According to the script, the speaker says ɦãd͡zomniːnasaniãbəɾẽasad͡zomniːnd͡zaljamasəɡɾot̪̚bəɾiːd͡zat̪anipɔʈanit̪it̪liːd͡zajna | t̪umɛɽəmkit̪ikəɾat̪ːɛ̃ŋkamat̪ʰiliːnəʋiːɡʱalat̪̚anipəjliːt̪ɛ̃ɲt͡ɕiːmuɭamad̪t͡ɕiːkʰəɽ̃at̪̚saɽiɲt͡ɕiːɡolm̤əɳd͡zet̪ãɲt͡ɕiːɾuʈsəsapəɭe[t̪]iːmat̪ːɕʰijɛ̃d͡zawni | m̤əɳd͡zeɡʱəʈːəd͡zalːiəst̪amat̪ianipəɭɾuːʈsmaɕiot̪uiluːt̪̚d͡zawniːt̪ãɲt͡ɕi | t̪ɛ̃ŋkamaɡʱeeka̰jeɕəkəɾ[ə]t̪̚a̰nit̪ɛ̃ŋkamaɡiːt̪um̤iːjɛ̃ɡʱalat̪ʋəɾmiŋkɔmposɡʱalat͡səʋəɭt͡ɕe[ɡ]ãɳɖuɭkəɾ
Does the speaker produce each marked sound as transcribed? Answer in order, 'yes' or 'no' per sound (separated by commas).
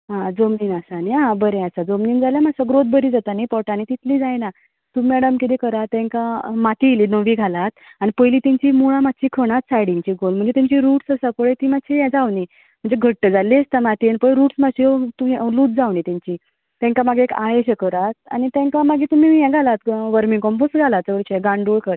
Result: yes, no, yes